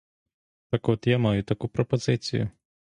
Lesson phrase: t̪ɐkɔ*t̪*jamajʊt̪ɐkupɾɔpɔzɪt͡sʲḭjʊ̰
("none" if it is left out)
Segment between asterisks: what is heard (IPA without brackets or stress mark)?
t̪